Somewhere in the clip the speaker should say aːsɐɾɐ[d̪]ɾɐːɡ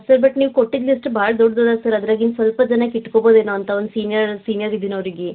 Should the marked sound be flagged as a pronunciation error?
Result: no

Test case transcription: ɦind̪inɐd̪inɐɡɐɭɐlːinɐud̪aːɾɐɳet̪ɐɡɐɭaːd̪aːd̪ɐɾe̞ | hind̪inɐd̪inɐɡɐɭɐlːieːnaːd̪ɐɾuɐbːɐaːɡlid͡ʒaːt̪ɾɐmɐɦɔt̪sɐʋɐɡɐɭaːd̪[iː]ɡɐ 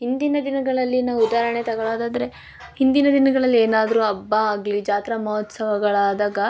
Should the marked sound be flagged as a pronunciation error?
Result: yes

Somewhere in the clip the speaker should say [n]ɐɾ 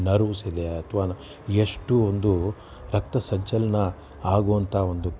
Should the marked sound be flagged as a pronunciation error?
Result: no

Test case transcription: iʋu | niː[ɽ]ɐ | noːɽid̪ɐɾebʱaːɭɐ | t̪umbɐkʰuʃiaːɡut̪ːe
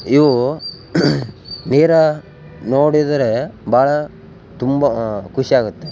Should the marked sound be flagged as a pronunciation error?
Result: yes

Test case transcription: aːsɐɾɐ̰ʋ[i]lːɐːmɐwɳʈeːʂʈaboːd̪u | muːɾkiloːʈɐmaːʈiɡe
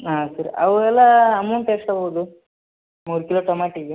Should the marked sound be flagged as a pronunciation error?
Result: yes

